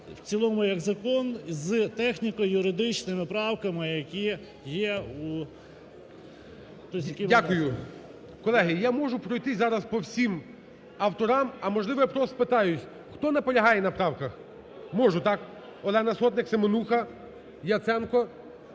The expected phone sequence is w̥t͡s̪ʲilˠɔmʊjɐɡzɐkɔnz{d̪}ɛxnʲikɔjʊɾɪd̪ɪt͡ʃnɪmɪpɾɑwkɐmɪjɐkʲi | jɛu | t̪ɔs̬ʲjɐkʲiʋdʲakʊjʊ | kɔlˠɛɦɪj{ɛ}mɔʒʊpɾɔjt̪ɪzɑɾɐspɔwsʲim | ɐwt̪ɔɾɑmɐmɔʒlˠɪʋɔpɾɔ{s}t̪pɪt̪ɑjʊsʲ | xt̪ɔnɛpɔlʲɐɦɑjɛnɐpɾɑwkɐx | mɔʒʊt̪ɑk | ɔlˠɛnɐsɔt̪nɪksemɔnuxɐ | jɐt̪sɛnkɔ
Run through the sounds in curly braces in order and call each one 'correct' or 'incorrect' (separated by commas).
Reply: incorrect, incorrect, correct